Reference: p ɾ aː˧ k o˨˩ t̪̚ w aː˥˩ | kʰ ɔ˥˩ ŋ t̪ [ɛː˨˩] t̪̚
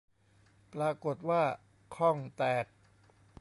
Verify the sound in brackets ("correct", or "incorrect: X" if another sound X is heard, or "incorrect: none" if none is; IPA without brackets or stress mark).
correct